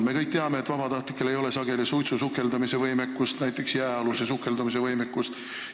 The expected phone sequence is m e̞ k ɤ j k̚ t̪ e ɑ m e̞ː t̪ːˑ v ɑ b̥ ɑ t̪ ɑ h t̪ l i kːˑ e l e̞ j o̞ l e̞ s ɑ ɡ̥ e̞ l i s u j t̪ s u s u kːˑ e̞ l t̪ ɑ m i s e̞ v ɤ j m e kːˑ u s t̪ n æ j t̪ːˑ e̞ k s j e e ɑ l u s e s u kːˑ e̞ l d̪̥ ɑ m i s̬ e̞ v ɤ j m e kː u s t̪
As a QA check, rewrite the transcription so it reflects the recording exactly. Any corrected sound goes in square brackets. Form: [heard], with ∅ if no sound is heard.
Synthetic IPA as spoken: m e̞ k ɤ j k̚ t̪ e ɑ m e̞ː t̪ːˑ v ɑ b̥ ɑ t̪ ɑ h t̪ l i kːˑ e l e̞ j o̞ l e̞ s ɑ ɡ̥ e̞ l i s u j t̪ s u s u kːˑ e̞ l [d̪] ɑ m i s e̞ v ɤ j m e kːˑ u s t̪ n æ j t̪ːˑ e̞ k s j [æ] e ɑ l u s e s u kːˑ e̞ l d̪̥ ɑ m i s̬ e̞ v ɤ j m e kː u s t̪